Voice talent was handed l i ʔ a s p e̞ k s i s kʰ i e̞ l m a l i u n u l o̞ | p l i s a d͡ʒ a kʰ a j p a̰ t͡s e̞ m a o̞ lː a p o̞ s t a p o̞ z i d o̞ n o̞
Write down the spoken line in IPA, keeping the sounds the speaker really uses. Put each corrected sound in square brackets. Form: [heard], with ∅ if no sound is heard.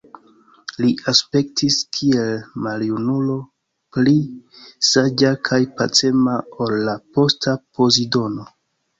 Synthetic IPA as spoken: l i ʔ a s p e̞ k [t] i s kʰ i e̞ l m a l [j] u n u l o̞ | p l i s a d͡ʒ a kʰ a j p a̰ t͡s e̞ m a o̞ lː a p o̞ s t a p o̞ z i d o̞ n o̞